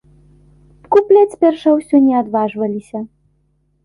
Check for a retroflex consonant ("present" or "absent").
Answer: present